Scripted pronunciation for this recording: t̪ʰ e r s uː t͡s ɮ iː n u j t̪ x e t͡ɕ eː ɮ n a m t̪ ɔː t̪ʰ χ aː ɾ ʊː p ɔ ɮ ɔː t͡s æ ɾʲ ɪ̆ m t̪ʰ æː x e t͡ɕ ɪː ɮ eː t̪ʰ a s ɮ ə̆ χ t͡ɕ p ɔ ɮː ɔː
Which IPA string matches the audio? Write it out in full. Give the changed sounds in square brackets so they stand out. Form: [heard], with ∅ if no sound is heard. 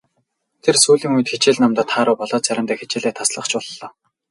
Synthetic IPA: t̪ʰ e r s uː [∅] ɮ iː [ŋ] u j t̪ x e t͡ɕ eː ɮ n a m t̪ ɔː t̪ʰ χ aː ɾ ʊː p ɔ ɮ ɔː t͡s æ ɾʲ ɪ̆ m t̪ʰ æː x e t͡ɕ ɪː ɮ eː t̪ʰ a s ɮ ə̆ χ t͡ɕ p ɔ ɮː ɔː